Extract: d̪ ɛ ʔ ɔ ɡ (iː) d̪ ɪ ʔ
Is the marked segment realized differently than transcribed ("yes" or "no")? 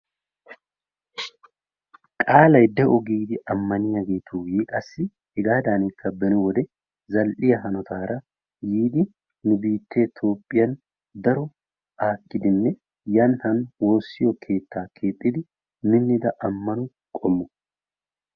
no